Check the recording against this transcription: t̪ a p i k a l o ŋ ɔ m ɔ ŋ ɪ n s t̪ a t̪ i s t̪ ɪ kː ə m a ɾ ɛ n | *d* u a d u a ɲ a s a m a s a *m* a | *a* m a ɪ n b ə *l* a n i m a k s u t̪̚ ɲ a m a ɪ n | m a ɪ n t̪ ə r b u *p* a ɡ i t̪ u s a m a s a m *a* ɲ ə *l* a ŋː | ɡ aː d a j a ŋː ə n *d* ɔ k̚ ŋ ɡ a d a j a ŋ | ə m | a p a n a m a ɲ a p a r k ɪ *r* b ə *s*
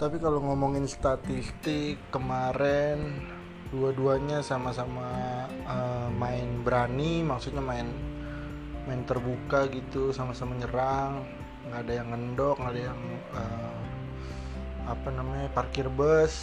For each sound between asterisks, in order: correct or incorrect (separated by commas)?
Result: correct, correct, incorrect, incorrect, incorrect, correct, incorrect, correct, correct, correct